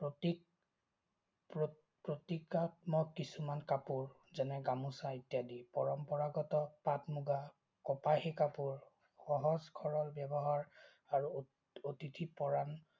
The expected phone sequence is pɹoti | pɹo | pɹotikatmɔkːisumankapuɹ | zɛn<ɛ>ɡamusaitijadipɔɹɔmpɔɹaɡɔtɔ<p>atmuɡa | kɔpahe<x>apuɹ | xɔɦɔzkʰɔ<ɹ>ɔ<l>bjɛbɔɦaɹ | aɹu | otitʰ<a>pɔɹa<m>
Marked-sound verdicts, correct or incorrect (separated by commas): correct, correct, incorrect, correct, correct, incorrect, incorrect